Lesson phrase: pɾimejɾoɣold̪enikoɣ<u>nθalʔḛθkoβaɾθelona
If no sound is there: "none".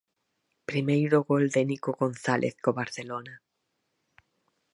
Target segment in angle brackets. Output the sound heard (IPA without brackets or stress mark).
o